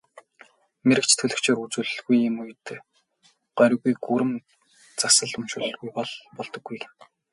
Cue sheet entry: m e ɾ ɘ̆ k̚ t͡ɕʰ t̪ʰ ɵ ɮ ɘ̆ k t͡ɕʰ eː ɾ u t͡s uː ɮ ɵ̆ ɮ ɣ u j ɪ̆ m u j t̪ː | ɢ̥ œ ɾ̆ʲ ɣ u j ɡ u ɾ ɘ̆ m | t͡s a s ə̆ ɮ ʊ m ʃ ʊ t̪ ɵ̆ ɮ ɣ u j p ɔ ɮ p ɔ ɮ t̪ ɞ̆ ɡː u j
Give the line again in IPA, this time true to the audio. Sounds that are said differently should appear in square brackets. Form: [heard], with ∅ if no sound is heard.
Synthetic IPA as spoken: m e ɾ ɘ̆ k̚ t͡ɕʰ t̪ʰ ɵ ɮ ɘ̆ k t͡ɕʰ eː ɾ u t͡s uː ɮ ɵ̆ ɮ ɣ u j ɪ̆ m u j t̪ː | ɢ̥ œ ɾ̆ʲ ɣ u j ɡ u ɾ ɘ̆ m | t͡s a s ə̆ ɮ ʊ m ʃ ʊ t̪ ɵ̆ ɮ ɣ u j p ɔ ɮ p ɔ ɮ t̪ ɞ̆ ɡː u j